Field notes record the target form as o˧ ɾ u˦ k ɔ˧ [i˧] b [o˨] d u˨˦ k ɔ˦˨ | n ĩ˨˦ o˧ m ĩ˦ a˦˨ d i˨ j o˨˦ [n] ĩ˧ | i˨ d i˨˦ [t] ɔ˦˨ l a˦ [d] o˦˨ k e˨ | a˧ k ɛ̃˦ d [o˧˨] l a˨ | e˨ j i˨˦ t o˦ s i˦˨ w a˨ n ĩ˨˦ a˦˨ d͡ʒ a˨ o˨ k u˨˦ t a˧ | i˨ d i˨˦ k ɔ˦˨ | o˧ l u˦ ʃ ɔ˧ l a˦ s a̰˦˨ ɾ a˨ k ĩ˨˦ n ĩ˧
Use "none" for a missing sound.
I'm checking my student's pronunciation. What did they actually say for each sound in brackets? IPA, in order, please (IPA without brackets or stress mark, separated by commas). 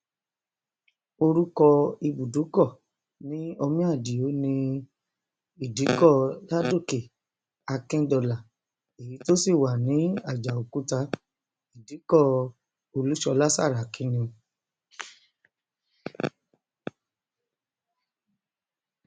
i˧, u˨, n, k, d, ɔ˧˨